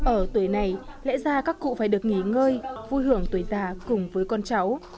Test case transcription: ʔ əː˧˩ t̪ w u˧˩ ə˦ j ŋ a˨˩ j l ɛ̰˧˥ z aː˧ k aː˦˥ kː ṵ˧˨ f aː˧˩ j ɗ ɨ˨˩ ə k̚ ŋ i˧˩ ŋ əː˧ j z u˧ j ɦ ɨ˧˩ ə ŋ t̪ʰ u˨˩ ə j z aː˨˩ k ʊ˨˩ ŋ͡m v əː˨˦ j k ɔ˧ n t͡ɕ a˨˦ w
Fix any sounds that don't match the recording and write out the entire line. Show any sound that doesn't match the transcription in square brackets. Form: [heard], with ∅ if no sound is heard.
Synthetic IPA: ʔ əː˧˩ t̪ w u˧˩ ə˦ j [n] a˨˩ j l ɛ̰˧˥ z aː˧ k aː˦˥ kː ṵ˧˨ f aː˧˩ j ɗ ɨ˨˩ ə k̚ ŋ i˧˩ ŋ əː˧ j [v] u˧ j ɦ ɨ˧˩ ə ŋ [t̪] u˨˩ ə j z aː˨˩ k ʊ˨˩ ŋ͡m v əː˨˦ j k ɔ˧ n t͡ɕ a˨˦ w